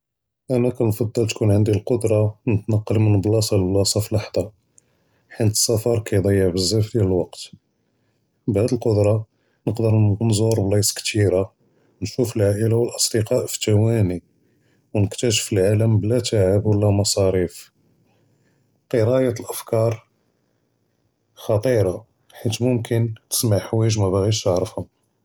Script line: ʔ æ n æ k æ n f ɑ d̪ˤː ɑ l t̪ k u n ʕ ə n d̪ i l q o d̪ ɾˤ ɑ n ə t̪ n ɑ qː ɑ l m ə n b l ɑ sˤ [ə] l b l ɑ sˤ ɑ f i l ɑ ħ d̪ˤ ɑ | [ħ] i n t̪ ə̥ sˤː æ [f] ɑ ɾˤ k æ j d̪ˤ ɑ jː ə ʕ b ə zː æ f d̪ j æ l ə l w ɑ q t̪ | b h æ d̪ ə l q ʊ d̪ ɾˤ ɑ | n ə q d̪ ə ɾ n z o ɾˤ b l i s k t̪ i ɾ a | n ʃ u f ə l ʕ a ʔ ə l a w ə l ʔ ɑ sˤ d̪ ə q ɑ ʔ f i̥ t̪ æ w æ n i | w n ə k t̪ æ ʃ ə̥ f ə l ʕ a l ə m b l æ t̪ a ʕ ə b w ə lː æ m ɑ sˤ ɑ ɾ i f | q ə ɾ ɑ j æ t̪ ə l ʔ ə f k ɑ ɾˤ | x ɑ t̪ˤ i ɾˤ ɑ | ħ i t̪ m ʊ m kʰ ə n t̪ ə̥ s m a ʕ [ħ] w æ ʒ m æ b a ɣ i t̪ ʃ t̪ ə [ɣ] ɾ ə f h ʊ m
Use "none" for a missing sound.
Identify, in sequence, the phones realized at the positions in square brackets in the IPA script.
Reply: ɑ, ħ, f, ħ, ʕ

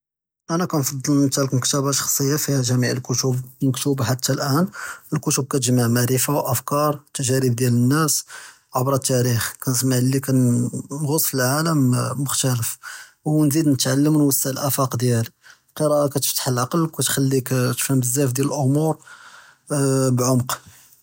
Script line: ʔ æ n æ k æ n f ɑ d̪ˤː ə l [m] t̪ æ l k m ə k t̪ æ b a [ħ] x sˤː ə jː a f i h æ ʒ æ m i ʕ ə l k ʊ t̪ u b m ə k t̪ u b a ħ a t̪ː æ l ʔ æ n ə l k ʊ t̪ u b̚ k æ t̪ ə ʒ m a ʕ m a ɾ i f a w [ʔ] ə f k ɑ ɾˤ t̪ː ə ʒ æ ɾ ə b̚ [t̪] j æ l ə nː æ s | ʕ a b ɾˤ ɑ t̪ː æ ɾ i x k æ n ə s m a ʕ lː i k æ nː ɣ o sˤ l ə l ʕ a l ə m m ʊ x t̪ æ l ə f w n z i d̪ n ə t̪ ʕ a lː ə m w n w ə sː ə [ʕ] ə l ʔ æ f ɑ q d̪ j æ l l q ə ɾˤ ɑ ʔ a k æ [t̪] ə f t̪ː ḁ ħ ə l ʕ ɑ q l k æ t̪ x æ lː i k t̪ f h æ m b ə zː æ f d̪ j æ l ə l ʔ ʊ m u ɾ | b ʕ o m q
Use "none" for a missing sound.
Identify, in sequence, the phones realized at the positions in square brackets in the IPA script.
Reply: m, ʃ, ʔ, d̪, ʕ, t̪

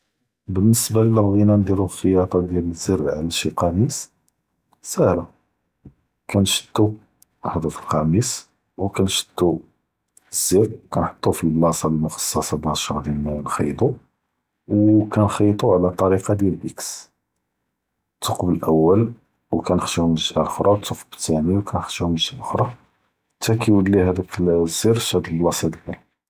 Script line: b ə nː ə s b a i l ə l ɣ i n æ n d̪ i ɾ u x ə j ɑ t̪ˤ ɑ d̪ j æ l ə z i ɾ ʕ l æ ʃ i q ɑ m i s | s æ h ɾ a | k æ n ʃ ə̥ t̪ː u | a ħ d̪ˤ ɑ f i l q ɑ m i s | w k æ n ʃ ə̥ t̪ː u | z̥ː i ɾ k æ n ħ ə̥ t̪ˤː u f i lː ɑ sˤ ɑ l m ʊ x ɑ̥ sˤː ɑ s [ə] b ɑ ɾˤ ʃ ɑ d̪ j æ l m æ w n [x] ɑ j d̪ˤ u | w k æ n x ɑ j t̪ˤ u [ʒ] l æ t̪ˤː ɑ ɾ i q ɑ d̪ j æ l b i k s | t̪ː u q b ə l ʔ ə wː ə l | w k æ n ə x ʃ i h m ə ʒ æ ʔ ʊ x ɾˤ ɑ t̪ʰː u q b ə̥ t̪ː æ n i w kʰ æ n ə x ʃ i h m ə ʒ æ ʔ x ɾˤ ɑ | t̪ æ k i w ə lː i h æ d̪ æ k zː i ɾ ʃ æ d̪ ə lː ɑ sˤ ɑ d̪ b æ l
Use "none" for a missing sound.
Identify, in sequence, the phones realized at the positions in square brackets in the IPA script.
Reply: ɑ, x, ʕ

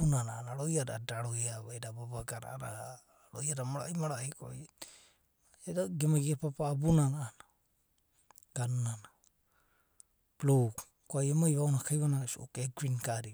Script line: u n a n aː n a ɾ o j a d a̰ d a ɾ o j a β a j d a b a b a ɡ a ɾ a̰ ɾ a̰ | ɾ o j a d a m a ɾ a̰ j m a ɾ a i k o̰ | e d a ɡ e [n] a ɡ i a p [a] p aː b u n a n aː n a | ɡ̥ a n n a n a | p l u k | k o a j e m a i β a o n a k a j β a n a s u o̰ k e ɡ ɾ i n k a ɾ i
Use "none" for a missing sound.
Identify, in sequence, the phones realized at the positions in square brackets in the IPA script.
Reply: m, a

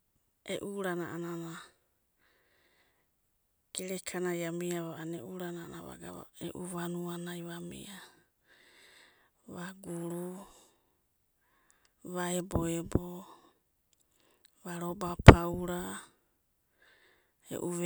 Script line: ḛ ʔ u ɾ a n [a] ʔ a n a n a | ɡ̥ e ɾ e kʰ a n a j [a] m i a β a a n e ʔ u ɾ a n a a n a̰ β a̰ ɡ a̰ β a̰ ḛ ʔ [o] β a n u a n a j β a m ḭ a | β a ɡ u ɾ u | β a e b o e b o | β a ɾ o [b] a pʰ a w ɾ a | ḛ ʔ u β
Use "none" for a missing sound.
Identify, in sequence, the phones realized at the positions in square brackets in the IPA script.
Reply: a, a, u, b

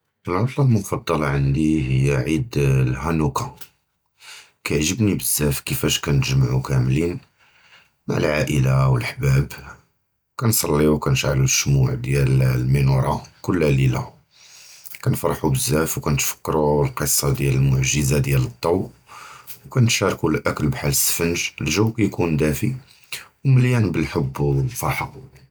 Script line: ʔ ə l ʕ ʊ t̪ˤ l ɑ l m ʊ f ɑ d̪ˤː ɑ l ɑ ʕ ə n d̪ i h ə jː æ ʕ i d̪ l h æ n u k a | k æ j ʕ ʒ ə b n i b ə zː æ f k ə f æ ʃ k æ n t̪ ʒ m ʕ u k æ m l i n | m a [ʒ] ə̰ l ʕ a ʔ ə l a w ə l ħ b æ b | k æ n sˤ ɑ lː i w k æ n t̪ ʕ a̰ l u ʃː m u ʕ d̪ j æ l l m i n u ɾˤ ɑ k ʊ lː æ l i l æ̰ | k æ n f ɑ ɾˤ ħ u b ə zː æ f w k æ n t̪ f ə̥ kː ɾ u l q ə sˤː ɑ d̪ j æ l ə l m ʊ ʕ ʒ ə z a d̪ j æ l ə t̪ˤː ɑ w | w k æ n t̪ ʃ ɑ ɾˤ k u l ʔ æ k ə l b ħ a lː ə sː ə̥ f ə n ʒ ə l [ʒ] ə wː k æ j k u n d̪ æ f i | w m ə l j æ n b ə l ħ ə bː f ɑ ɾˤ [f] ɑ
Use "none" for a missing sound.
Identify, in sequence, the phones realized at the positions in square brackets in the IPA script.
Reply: ʕ, ʒ, ħ

